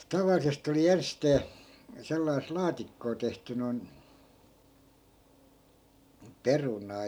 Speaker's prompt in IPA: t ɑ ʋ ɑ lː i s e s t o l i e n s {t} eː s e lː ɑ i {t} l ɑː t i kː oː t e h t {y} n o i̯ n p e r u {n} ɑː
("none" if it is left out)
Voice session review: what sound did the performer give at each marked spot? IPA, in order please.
t, s, y, n

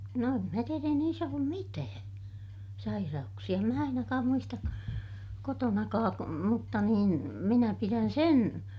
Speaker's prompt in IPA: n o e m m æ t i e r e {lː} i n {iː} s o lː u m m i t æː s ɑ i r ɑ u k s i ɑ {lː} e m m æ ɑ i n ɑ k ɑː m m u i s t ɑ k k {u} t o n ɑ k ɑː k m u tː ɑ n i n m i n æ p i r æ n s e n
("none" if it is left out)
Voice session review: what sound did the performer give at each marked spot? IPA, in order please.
none, iː, none, o

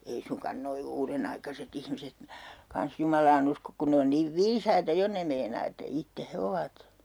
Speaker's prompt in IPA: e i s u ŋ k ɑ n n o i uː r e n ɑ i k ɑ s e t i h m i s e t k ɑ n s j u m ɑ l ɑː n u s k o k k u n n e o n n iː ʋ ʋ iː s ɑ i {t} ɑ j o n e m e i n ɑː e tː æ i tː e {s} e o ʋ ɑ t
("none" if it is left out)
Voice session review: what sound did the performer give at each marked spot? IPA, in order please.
t, h

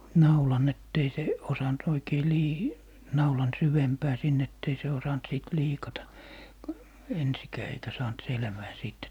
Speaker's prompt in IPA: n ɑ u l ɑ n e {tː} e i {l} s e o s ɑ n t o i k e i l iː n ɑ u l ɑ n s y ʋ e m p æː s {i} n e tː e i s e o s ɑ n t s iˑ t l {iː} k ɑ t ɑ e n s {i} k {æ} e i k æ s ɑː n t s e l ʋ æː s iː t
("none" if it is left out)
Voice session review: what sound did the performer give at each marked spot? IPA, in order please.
tː, none, i, iː, i, æː

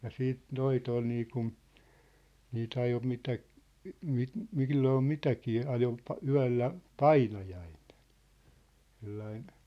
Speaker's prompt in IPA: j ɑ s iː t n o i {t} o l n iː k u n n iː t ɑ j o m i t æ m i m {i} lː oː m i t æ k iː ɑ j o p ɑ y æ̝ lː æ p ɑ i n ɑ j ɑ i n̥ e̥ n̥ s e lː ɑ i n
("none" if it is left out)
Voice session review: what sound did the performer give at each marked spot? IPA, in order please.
t, i

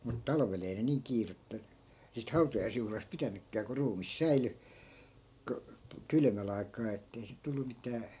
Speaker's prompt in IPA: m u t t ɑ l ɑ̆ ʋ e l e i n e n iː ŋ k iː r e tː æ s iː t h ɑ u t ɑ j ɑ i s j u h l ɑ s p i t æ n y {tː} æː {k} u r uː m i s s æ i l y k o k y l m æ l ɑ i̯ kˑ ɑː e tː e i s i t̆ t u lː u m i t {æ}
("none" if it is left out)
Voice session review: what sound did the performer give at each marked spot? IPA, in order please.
kː, k, æː

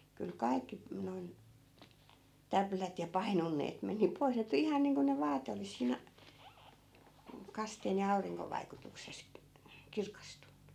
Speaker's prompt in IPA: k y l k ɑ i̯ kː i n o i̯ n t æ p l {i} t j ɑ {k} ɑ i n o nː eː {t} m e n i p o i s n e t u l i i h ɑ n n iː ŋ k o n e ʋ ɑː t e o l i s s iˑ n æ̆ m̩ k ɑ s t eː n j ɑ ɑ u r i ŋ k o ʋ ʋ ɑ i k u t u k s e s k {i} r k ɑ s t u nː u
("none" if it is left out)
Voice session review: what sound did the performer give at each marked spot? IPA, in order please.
æ, p, t, i

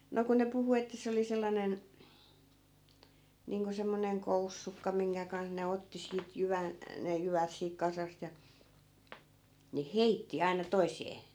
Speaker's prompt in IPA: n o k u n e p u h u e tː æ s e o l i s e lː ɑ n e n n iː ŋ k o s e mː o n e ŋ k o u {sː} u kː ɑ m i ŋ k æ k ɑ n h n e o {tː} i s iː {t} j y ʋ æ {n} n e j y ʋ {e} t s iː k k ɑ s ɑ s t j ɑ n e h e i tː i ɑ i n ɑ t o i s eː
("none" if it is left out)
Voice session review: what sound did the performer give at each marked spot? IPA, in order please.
sː, tː, t, n, æ

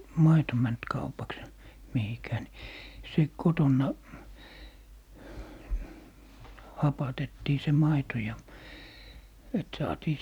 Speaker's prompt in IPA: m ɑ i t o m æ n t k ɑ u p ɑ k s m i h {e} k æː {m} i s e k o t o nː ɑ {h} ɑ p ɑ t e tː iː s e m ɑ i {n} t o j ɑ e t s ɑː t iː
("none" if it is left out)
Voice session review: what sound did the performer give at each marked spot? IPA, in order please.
i, n, h, none

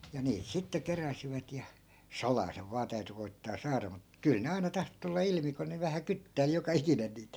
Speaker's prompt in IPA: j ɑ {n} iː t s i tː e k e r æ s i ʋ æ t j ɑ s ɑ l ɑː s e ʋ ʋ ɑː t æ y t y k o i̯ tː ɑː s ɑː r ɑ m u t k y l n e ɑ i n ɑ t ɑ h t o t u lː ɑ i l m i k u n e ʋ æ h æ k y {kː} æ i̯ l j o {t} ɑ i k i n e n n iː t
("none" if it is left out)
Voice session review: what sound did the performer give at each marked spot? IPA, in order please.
n, tː, k

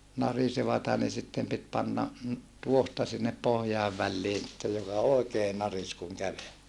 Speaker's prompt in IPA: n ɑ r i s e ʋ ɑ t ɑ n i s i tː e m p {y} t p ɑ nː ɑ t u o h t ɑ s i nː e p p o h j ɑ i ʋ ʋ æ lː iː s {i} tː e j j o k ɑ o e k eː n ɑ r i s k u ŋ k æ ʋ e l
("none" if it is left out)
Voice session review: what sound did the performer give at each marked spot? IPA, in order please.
i, i

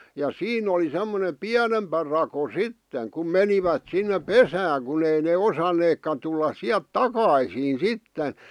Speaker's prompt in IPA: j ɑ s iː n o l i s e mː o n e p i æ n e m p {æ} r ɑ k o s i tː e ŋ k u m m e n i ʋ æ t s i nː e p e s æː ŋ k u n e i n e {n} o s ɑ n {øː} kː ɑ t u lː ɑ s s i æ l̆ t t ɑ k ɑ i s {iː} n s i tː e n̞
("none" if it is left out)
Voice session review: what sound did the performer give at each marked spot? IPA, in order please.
æ, none, eː, iː

